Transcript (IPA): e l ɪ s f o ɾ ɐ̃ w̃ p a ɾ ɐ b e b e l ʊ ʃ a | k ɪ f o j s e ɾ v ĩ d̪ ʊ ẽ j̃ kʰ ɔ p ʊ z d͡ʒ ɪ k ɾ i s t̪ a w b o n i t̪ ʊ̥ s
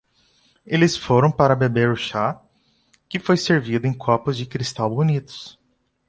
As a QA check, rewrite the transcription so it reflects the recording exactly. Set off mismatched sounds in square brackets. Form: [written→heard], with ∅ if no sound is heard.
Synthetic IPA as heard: e l ɪ s f o ɾ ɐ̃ w̃ p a ɾ ɐ b e b e [l→ɾ] ʊ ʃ a | k ɪ f o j s e ɾ v [ĩ→i] d̪ ʊ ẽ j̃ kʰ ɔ p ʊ z d͡ʒ ɪ k ɾ i s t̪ a w b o n i t̪ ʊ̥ s